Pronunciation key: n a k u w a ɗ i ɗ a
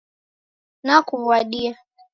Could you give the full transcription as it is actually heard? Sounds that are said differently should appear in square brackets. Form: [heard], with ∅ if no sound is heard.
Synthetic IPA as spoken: n a k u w a ɗ i [∅] a